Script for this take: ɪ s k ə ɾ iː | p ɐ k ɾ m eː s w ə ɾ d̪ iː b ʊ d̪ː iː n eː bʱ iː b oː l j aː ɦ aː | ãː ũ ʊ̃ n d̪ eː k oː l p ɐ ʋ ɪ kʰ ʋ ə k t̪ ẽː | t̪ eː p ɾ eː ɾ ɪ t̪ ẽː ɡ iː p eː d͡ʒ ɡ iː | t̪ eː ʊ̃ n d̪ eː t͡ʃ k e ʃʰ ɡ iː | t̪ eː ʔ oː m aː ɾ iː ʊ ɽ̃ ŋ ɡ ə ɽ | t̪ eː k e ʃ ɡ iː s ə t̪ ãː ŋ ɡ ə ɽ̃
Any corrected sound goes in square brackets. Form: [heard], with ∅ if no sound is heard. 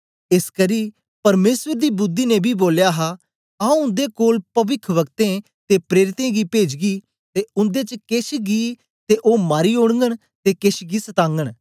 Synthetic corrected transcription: ɪ s k ə ɾ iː | p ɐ [∅] ɾ m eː s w ə ɾ d̪ iː b ʊ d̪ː iː n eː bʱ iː b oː l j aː ɦ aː | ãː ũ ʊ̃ n d̪ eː k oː l p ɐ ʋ ɪ kʰ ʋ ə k t̪ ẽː | t̪ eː p ɾ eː ɾ ɪ t̪ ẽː ɡ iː p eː d͡ʒ ɡ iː | t̪ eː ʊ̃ n d̪ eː t͡ʃ k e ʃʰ ɡ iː | t̪ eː ʔ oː m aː ɾ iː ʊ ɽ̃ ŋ ɡ ə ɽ | t̪ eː k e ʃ ɡ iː s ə t̪ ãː ŋ ɡ ə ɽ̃

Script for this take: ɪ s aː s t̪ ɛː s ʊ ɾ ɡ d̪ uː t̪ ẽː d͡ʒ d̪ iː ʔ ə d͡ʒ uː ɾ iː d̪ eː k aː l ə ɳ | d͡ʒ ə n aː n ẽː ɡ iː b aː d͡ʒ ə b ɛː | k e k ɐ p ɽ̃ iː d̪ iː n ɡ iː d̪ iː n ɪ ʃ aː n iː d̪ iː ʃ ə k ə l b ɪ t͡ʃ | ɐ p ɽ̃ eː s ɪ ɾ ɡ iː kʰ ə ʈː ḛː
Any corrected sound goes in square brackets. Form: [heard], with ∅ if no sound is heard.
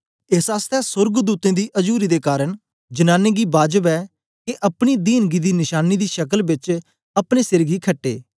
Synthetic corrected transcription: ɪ s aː s t̪ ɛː s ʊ ɾ ɡ d̪ uː t̪ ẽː [∅] d̪ iː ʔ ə d͡ʒ uː ɾ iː d̪ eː k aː [ɾ] ə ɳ | d͡ʒ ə n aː n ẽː ɡ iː b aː d͡ʒ ə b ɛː | k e [ʔ] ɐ p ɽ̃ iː d̪ iː n ɡ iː d̪ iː n ɪ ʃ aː n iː d̪ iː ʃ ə k ə l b ɪ t͡ʃ | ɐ p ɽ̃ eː s ɪ ɾ ɡ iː kʰ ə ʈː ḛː

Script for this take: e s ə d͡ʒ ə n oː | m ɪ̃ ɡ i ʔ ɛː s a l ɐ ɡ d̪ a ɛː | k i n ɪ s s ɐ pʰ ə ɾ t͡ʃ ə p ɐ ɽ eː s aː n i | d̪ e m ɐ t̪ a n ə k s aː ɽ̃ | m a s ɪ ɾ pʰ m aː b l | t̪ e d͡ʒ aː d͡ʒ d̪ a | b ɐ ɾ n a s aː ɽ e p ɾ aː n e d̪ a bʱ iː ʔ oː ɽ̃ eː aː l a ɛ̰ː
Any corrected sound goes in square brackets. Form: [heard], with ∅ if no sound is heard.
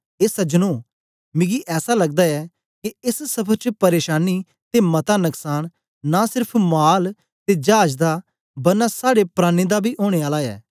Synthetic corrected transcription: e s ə d͡ʒ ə n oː | m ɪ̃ ɡ i ʔ ɛː s a l ɐ ɡ d̪ a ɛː | k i [∅] ɪ s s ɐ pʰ ə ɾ t͡ʃ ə p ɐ [ɾ] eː [ʃ] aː n i | [t̪] e m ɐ t̪ a n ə k s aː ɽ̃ | [n] a s ɪ ɾ pʰ m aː [∅] l | t̪ e d͡ʒ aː d͡ʒ d̪ a | b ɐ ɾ n a s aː ɽ e p ɾ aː n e d̪ a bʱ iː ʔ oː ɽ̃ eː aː l a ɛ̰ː

